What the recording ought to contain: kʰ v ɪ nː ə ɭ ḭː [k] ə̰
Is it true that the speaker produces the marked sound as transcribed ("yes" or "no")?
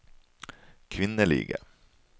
no